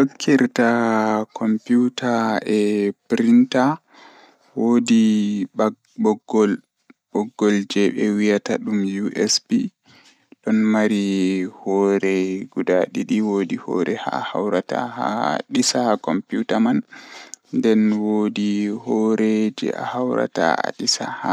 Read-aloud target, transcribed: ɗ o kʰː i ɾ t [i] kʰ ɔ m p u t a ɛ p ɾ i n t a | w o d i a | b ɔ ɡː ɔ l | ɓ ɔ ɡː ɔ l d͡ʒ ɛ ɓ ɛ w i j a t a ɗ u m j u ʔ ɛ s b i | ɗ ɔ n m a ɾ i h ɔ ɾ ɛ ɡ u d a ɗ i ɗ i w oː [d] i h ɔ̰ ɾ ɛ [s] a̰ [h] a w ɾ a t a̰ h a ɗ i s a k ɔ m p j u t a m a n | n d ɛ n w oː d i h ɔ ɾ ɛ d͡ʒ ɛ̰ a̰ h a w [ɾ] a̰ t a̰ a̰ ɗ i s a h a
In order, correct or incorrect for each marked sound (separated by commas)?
incorrect, correct, incorrect, correct, correct